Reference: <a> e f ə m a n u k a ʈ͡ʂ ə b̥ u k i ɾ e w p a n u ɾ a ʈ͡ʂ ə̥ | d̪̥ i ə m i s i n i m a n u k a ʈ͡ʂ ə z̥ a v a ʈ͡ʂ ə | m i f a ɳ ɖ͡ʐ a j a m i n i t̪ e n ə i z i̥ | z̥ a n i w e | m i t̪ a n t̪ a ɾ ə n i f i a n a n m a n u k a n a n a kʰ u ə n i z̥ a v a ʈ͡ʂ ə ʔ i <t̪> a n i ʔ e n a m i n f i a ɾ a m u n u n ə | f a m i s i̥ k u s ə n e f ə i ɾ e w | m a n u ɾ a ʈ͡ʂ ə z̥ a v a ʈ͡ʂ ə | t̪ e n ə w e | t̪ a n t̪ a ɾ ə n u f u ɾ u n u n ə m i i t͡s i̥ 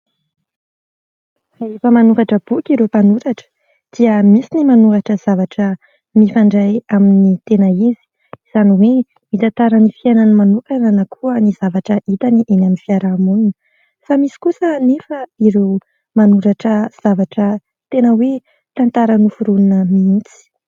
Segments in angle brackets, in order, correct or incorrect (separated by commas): correct, correct